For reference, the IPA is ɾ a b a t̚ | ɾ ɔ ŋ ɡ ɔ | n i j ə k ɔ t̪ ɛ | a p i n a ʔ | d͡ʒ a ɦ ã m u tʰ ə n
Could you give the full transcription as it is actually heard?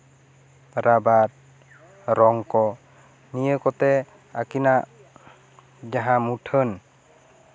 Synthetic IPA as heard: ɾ a b a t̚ | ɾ ɔ ŋ k ɔ | n i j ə k ɔ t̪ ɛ | a k i n a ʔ | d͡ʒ a ɦ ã m u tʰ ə n